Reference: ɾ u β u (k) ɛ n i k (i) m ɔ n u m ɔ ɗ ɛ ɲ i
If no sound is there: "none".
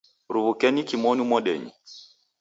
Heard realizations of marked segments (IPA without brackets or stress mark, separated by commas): k, i